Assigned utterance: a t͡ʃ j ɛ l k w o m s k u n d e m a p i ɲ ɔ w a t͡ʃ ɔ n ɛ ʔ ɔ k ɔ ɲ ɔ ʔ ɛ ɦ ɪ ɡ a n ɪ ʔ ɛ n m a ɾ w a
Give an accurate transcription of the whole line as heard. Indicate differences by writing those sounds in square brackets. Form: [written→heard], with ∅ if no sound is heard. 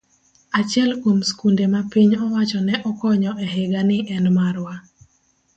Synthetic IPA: a t͡ʃ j ɛ l k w o m s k u n d e m a p i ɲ ɔ w a t͡ʃ ɔ n ɛ ʔ ɔ k ɔ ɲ ɔ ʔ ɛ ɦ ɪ ɡ a n ɪ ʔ ɛ n m a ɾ w a